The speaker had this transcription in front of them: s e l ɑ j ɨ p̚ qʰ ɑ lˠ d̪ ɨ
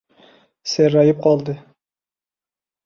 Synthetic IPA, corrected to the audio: s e ɾ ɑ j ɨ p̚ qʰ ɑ lˠ d̪ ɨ